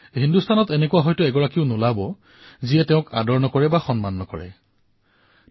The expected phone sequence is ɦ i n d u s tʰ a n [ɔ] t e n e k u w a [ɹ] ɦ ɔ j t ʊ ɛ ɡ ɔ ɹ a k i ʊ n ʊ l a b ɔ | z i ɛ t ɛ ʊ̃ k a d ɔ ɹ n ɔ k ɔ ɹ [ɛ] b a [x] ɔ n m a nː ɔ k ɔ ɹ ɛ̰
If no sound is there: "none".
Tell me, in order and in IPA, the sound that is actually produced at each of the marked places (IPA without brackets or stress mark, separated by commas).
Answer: ɔ, none, ɛ, x